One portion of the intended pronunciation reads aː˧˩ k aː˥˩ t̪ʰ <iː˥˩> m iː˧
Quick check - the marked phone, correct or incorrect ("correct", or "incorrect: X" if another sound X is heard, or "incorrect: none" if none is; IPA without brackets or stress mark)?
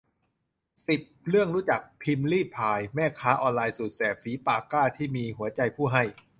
correct